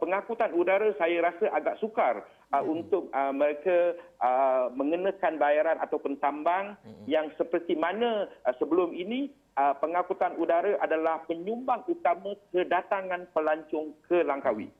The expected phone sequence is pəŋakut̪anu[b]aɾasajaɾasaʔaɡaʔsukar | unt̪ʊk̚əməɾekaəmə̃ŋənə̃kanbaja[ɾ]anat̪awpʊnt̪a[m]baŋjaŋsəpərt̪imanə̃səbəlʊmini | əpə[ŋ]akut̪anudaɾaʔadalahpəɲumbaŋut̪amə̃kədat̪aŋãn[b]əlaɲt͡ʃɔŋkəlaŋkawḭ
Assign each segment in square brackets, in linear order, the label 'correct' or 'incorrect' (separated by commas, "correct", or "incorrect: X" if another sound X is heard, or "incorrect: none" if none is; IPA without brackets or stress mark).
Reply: incorrect: d, correct, correct, correct, incorrect: p